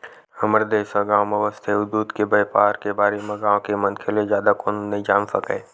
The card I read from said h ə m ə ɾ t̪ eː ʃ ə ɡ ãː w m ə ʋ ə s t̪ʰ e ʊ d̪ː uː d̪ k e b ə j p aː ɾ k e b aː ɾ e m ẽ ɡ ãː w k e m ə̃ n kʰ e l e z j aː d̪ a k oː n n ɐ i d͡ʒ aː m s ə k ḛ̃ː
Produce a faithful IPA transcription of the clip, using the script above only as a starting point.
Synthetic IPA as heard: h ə m ə ɾ d̪ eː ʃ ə ɡ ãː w m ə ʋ ə s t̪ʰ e ʊ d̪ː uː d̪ k e b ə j p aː ɾ k e b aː ɾ e m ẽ ɡ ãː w k e m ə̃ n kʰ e l e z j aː d̪ a k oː n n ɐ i d͡ʒ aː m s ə k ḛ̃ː